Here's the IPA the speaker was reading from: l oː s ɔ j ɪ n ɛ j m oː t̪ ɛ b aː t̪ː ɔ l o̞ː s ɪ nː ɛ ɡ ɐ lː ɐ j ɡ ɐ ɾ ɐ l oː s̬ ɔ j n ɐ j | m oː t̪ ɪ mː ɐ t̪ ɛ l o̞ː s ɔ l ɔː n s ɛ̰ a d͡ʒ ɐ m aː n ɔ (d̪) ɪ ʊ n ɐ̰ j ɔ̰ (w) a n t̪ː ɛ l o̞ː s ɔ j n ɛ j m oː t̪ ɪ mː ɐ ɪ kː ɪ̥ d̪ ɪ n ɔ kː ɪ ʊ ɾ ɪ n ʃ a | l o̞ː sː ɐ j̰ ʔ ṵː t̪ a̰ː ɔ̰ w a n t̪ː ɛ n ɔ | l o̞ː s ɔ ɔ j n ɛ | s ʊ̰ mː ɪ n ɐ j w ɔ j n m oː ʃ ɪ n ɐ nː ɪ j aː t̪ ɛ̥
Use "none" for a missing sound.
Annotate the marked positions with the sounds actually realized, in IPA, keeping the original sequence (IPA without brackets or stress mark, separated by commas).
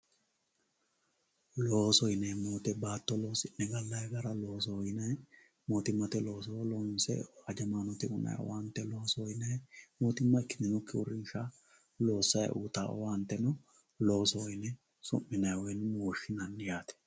t̪, w